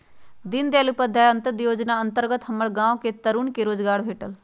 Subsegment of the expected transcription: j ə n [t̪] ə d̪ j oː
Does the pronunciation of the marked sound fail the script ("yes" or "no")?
no